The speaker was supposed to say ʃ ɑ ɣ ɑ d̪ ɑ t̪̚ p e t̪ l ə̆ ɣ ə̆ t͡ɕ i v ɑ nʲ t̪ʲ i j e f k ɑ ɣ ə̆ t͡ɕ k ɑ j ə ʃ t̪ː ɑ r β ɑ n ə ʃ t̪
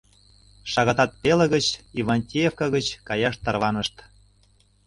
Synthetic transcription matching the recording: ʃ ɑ ɣ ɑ t̪ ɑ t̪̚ p e l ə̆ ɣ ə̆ t͡ɕ i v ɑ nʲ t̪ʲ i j e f k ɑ ɣ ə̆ t͡ɕ k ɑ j ɑ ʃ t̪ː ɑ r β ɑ n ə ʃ t̪